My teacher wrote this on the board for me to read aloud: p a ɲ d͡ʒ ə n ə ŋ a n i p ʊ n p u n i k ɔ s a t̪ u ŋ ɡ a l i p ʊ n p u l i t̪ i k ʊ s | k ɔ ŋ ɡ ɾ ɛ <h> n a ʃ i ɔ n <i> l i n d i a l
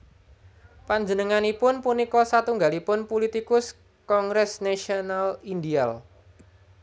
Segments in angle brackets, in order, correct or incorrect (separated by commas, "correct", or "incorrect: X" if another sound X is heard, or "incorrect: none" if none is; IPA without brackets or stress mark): incorrect: s, incorrect: a